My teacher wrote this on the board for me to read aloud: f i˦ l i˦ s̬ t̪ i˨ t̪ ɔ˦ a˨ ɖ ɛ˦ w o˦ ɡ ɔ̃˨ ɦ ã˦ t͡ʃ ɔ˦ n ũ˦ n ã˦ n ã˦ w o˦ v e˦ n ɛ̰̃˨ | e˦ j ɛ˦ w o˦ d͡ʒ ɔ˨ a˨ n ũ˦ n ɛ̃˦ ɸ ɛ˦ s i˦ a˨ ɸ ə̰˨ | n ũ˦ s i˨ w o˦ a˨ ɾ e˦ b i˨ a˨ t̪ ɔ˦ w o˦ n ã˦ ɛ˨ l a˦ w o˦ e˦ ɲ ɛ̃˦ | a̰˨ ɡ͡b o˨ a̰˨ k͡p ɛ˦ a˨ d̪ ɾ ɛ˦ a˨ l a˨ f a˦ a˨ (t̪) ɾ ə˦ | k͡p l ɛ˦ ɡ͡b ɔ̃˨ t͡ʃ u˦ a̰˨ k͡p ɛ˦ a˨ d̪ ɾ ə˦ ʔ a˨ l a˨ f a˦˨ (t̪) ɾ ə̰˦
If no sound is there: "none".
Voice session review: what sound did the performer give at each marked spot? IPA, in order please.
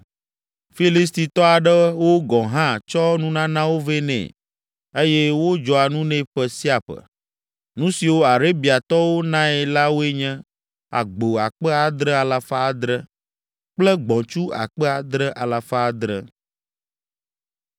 d̪, d̪

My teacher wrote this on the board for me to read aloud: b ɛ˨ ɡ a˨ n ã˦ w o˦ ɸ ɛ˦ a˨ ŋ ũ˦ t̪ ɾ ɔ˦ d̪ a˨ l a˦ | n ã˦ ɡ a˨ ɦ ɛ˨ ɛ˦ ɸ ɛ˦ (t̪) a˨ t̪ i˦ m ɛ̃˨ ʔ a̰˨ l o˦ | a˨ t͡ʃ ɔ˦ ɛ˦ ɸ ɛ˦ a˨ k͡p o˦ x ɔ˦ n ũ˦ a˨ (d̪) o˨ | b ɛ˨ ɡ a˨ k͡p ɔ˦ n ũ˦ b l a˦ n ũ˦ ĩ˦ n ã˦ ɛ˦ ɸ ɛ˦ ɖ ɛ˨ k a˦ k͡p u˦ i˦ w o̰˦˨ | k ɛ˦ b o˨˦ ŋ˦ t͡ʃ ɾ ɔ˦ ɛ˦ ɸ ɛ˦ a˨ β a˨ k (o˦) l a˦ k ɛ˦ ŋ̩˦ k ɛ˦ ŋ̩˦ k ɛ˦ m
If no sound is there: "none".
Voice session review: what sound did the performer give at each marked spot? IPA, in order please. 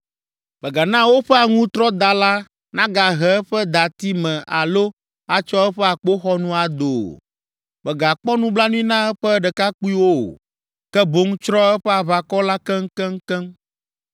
d̪, d̪, ɔ˦

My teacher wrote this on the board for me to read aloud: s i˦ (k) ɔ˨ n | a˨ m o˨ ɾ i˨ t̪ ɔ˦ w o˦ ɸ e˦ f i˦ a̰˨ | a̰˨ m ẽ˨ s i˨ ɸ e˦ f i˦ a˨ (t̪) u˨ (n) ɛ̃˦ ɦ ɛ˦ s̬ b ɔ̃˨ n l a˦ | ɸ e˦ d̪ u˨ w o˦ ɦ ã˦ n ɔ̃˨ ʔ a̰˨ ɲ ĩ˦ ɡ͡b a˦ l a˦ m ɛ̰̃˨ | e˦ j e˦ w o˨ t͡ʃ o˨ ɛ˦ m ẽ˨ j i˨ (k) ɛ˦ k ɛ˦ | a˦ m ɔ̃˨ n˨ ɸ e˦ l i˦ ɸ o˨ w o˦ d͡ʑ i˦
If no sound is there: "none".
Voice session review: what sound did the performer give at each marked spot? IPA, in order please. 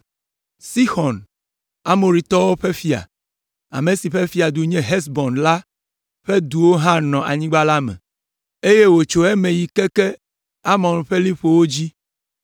x, d̪, ɲ, k

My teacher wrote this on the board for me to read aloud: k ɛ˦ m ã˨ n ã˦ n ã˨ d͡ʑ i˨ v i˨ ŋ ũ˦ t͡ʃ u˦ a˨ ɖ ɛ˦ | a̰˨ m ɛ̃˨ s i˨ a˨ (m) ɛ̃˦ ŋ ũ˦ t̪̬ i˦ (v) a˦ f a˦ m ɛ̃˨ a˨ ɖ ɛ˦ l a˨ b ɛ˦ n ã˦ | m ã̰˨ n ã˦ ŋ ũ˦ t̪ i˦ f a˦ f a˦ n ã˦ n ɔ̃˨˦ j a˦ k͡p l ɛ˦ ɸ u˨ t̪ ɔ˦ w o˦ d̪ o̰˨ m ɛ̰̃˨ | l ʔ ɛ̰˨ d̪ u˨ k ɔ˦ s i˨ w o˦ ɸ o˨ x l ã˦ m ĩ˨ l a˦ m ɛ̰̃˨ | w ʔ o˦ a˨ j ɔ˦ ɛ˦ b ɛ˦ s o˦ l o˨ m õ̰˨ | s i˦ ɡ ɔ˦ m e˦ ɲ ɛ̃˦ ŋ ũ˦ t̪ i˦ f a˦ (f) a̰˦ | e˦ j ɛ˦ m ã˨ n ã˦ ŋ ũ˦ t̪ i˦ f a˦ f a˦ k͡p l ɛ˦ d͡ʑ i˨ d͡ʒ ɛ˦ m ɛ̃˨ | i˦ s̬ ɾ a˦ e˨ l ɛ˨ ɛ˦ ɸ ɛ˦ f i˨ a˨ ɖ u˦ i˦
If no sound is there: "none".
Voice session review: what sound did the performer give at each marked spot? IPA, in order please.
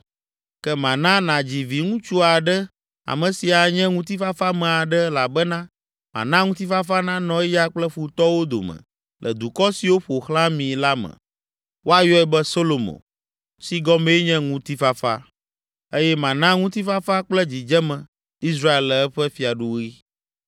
ɲ, f, f

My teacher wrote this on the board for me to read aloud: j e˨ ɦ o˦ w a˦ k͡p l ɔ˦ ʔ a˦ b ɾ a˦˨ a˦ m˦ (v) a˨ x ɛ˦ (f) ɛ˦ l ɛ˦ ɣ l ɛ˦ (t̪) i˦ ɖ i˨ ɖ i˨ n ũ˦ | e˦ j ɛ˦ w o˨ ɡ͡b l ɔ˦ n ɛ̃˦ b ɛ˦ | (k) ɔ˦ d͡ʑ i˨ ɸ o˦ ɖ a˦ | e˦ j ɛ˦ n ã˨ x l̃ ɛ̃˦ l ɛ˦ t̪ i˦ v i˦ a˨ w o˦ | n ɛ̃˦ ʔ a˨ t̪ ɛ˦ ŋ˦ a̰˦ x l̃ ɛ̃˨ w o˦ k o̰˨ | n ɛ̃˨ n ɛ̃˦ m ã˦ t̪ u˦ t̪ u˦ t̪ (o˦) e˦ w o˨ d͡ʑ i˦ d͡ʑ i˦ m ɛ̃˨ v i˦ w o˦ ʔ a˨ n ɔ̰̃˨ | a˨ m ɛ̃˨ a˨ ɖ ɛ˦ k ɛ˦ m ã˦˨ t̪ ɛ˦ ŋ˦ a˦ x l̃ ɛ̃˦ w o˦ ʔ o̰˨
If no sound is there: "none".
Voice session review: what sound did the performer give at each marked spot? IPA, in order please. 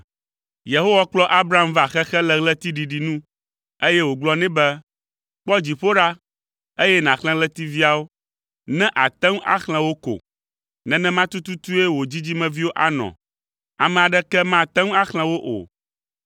v, x, t̪, k͡p, u˦

